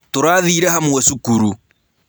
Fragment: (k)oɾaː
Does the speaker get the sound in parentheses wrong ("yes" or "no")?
yes